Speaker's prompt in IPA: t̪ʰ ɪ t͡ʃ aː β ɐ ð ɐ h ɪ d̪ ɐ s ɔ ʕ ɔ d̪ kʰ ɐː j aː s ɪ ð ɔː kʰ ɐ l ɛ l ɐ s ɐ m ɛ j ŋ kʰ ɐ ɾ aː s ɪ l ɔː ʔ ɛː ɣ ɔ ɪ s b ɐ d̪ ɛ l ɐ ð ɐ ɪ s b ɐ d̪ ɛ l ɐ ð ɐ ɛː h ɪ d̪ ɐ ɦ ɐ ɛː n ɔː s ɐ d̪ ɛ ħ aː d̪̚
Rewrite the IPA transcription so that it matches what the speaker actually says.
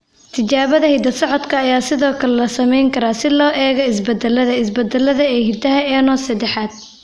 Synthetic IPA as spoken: t̪ʰ ɪ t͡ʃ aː β ɐ ð ɐ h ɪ d̪ ɐ s ɔ ʕ ɔ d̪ kʰ ɐː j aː s ɪ ð ɔː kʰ ɐ l ɛ l ɐ s ɐ m ɛ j ŋ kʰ ɐ ɾ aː s ɪ l ɔː ʔ ɛː ɣ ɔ ɪ s b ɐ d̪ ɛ l ɐ ð ɐ ɪ s b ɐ d̪ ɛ l ɐ ð ɐ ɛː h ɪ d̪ ɐ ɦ ɐ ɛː n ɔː s ɐ d̪ ɛ ħ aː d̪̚